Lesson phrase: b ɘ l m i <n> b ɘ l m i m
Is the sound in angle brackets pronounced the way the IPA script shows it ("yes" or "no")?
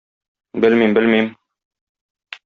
no